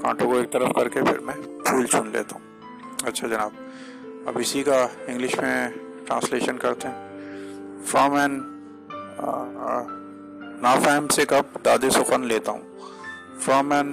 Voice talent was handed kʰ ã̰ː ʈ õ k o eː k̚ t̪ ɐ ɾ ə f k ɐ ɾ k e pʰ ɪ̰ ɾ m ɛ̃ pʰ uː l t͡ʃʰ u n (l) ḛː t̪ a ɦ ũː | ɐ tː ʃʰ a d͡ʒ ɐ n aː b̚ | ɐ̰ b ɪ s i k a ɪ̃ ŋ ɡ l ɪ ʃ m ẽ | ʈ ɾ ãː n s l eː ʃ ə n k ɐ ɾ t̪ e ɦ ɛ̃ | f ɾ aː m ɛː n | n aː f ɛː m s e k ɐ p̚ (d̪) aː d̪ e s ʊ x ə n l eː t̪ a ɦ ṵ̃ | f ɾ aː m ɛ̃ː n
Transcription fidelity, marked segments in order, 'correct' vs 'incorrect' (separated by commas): correct, correct